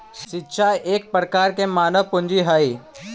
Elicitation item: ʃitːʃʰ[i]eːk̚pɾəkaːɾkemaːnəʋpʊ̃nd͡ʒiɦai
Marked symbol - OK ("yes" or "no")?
no